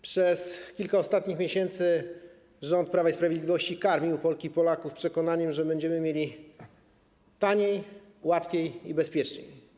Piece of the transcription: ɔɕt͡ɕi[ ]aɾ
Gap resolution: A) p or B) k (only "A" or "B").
B